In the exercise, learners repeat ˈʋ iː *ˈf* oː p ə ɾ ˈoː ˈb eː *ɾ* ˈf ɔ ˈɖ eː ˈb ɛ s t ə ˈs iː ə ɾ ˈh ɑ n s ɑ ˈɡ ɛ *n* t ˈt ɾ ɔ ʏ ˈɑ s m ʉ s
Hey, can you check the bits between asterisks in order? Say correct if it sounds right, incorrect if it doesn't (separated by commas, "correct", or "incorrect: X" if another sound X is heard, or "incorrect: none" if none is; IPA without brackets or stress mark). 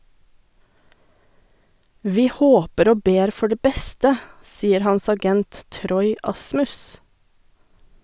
incorrect: h, correct, correct